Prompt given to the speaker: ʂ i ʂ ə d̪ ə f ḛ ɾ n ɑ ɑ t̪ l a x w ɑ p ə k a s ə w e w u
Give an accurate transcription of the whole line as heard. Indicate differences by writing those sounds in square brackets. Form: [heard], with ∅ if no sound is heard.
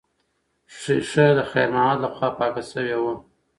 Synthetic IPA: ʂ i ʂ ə d̪ ə [x] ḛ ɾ n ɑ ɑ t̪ l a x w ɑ p [ɑ] k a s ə w e w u